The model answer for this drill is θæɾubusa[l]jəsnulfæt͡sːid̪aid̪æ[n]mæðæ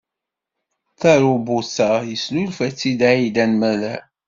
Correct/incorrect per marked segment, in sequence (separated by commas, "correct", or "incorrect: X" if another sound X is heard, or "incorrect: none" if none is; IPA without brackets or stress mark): incorrect: none, correct